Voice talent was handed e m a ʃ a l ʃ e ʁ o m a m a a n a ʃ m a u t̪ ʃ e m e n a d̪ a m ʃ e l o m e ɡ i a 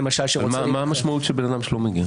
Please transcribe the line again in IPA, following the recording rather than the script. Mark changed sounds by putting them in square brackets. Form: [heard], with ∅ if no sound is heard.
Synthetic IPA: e m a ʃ a l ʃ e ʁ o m a m a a [m] a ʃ m a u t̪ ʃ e [b] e n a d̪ a m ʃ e l o m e ɡ i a